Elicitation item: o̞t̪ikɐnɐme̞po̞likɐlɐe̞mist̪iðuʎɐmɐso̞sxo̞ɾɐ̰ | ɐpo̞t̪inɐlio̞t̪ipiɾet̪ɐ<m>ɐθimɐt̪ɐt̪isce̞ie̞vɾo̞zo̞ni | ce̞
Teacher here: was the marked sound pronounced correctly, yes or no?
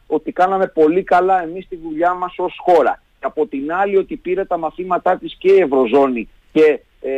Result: yes